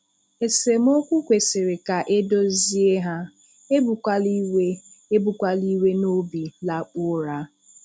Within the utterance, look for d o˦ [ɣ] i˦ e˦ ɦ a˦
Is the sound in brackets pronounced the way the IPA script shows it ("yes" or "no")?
no